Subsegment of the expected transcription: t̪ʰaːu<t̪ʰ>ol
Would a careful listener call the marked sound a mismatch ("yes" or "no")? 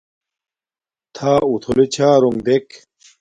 no